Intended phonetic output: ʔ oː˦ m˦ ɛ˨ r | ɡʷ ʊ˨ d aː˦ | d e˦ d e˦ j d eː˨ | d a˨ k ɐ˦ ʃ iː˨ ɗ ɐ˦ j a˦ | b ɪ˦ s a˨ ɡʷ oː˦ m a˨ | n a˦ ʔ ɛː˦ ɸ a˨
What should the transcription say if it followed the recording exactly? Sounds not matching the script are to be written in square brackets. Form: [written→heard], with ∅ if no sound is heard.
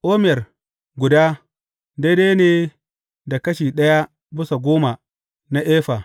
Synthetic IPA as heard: ʔ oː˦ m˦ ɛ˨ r | ɡʷ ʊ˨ d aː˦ | d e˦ d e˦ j [d→n] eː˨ | d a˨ k ɐ˦ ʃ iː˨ ɗ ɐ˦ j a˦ | b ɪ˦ s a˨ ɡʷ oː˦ m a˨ | n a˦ ʔ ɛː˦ ɸ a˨